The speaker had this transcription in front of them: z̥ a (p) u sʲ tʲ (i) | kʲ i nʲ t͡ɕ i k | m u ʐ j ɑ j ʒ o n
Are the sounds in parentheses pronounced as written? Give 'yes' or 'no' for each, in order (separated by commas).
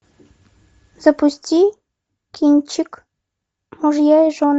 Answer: yes, yes